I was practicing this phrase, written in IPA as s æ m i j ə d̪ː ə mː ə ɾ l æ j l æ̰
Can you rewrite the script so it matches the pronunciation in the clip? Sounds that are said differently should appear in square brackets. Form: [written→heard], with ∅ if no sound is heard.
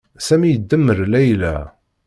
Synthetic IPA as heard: s æ m i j ə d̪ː ə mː ə ɾ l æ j l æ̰